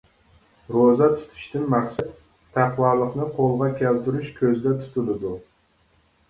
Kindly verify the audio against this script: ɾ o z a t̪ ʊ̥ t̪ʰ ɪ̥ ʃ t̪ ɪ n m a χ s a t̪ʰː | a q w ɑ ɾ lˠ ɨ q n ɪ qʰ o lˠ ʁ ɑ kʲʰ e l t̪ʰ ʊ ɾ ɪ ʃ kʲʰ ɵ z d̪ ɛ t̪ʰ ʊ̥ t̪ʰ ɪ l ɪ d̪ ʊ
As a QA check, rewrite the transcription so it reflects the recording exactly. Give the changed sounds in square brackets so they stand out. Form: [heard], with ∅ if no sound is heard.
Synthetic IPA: ɾ o z a [t̪ʰ] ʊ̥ t̪ʰ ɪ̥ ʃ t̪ ɪ n m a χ s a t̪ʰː | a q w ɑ ɾ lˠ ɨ q n ɪ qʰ o lˠ ʁ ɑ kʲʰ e l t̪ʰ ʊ ɾ ɪ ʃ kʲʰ ɵ z d̪ [a] t̪ʰ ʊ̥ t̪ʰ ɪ l ɪ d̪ ʊ